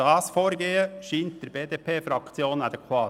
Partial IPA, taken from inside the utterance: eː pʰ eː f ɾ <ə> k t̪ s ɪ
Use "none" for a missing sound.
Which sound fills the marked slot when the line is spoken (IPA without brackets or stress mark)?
ɑ